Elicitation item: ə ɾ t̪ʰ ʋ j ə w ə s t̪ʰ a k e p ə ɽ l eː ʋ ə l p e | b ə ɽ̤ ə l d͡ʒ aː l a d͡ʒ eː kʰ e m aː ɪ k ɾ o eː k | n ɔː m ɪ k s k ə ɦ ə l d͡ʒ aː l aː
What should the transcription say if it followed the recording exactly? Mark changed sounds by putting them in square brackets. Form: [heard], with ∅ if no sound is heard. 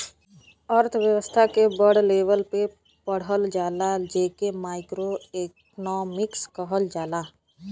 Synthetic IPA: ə ɾ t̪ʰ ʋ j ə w ə s t̪ʰ a k e [b] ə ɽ l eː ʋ ə l p e | [p] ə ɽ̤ ə l d͡ʒ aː l a d͡ʒ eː [k] e m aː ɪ k ɾ o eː k | n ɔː m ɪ k s k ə ɦ ə l d͡ʒ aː l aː

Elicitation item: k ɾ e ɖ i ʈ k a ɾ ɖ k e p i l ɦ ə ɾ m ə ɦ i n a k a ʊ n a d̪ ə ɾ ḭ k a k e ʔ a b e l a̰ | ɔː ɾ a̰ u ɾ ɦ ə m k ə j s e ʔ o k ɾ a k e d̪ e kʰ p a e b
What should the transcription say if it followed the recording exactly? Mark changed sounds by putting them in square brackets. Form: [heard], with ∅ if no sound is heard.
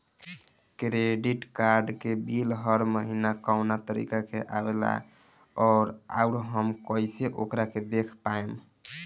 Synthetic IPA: k ɾ e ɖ i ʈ k a ɾ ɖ k e [b] i l ɦ ə ɾ m ə ɦ i n a k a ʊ n a [t̪] ə ɾ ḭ k a k e ʔ a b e l a̰ | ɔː ɾ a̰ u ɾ ɦ ə m k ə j s e ʔ o k ɾ a k e d̪ e kʰ p a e [m]

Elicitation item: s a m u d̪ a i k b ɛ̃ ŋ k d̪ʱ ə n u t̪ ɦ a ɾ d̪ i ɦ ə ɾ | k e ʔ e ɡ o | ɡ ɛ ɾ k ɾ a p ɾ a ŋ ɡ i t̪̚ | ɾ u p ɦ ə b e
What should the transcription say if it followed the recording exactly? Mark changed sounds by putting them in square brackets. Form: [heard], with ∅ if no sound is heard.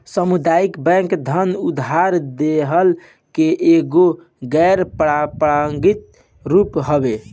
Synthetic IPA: s [ə] m u d̪ a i k b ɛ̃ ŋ k d̪ʱ ə n u [d̪] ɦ a ɾ d̪ [e] ɦ ə [l] | k e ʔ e ɡ o | ɡ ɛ ɾ [p] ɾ a p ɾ a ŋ ɡ i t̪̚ | ɾ u p ɦ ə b e

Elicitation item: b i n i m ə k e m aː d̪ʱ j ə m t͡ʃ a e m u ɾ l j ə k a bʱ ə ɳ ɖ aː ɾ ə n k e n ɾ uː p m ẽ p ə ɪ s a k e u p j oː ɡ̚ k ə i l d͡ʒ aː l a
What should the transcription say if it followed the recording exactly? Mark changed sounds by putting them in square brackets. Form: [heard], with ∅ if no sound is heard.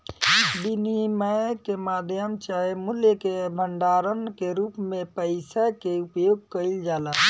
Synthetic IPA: b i n i m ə k e m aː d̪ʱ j ə m t͡ʃ a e m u [∅] l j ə k [e] bʱ ə ɳ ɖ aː ɾ ə n k e [∅] ɾ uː p m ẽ p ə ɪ s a k e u p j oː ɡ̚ k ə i l d͡ʒ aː l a

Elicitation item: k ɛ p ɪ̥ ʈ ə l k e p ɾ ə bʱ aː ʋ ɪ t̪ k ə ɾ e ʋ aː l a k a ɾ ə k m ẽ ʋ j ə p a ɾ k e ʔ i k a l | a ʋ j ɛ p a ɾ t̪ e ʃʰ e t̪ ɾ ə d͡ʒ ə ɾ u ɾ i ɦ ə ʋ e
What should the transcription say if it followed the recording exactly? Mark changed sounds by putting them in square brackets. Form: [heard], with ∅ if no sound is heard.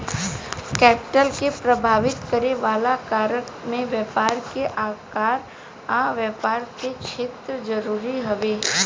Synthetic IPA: k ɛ p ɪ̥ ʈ ə l k e p ɾ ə bʱ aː ʋ ɪ t̪ k ə ɾ e ʋ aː l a k a ɾ ə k m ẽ ʋ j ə p a ɾ k e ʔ [a] k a [ɾ] | a ʋ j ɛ p a ɾ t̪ e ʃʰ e t̪ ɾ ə d͡ʒ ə ɾ u ɾ i ɦ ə ʋ e

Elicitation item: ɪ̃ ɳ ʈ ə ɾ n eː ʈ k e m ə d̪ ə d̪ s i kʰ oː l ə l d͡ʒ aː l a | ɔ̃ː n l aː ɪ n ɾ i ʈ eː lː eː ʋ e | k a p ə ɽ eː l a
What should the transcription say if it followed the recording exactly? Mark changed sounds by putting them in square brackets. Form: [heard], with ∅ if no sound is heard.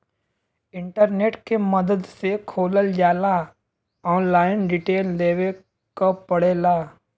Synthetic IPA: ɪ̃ ɳ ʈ ə ɾ n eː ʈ k e m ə d̪ ə d̪ s [e] kʰ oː l ə l d͡ʒ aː l a | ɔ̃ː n l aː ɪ n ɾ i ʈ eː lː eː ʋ e | k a p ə ɽ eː l a

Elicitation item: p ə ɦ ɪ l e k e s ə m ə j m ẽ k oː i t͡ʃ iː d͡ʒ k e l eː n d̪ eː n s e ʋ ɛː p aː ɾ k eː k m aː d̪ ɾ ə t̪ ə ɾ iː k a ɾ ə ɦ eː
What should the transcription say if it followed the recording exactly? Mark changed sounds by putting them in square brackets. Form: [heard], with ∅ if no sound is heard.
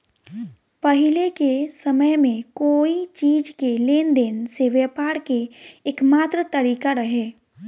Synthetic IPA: p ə ɦ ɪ l e k e s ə m ə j m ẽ k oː i t͡ʃ iː d͡ʒ k e l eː n d̪ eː n s e ʋ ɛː p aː ɾ k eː k m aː [t̪] ɾ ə t̪ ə ɾ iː k a ɾ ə ɦ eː

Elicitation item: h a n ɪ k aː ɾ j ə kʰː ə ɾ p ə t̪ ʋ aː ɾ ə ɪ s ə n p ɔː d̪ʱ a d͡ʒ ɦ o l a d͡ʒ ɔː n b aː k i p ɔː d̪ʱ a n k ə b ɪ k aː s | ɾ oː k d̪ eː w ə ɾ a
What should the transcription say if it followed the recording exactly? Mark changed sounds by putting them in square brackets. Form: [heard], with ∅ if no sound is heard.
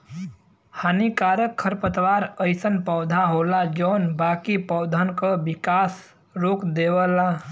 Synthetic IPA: h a n [i] k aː ɾ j ə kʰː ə ɾ p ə t̪ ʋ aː ɾ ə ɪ s ə n p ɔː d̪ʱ a [∅] ɦ o l a d͡ʒ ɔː n b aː k i p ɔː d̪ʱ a n k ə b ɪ k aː s | ɾ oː k d̪ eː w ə [l] a

